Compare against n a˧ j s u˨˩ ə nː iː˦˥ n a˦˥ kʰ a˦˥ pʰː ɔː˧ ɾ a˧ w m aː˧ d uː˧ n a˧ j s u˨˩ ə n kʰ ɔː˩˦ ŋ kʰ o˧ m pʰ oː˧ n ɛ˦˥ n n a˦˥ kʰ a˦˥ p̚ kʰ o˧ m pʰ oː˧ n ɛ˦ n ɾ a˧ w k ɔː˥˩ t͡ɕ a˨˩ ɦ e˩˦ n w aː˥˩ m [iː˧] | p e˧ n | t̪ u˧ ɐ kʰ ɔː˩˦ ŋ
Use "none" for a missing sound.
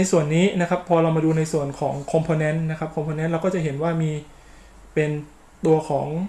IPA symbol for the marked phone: iː˧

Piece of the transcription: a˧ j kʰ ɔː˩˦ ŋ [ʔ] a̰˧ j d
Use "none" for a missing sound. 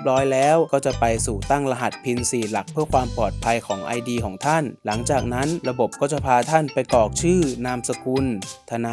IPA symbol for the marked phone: ʔ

